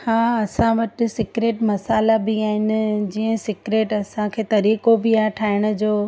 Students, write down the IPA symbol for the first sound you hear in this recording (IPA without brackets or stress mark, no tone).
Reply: h